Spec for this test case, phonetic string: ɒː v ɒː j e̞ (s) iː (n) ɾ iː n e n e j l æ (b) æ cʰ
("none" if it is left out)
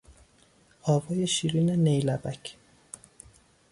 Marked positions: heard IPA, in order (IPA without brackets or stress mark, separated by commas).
ʃ, none, b